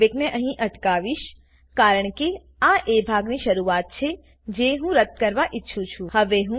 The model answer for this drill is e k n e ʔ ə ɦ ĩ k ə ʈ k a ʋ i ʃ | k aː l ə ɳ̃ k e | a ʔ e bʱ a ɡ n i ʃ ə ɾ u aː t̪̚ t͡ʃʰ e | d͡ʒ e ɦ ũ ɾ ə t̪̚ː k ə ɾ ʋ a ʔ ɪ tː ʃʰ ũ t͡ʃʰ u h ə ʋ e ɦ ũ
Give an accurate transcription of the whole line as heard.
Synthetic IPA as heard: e k n e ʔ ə ɦ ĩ ʔ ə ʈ k a ʋ i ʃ | k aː ɾ ə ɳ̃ k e | a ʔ e bʱ a ɡ n i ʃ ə ɾ u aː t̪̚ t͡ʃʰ e | d͡ʒ e ɦ ũ ɾ ə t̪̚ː k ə ɾ ʋ a ʔ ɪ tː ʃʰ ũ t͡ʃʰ u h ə ʋ e ɦ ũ